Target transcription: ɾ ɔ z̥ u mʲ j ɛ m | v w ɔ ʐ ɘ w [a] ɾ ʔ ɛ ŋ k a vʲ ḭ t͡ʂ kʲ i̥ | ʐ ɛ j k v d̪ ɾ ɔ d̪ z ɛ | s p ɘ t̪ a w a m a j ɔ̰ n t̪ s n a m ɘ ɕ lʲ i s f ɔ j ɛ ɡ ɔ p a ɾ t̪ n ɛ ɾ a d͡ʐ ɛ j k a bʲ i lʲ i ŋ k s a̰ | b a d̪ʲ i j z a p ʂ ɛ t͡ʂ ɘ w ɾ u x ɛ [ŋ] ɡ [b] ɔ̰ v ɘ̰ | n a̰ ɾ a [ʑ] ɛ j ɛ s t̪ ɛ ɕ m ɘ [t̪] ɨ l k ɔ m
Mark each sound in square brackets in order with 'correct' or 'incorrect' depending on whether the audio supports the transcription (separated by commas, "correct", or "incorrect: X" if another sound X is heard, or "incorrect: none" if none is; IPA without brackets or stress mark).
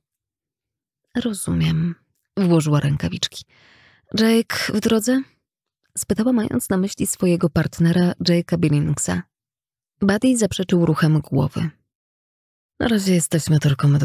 correct, incorrect: m, incorrect: w, correct, correct